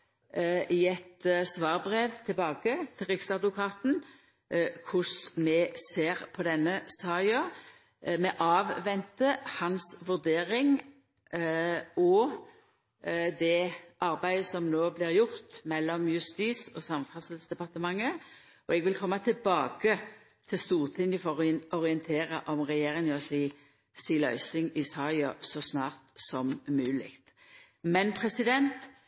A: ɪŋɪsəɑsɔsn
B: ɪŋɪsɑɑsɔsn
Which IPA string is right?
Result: B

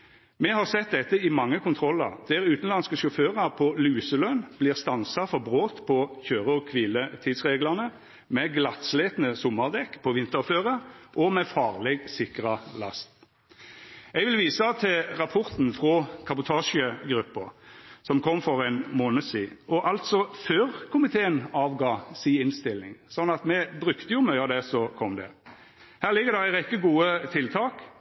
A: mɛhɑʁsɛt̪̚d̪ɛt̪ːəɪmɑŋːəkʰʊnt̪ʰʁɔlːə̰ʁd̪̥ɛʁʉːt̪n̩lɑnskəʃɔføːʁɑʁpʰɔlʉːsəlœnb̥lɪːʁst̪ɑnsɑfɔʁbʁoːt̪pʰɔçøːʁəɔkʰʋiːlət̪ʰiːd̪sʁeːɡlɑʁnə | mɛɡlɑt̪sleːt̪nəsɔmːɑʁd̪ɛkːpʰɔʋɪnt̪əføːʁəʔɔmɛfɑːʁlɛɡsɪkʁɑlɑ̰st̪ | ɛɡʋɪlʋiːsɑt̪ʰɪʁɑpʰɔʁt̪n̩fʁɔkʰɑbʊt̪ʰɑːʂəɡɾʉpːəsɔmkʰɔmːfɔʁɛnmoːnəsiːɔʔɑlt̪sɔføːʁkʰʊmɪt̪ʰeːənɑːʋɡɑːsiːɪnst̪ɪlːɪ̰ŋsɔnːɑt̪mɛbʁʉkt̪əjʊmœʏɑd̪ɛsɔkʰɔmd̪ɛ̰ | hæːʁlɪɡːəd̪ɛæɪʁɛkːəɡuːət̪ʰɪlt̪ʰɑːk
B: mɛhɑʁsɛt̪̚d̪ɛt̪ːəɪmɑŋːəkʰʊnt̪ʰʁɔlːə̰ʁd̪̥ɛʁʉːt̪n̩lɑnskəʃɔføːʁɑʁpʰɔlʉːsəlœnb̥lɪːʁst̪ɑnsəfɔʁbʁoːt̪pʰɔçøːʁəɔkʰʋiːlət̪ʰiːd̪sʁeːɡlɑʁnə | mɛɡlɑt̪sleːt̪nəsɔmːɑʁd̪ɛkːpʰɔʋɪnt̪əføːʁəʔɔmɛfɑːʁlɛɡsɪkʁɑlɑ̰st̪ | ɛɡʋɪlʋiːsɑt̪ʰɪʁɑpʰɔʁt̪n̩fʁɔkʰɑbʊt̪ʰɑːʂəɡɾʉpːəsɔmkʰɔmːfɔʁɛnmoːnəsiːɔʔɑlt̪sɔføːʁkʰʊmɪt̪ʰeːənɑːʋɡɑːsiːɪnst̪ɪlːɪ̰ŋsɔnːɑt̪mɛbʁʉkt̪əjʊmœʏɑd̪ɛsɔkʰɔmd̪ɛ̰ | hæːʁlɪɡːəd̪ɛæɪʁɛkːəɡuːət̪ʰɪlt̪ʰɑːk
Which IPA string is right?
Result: A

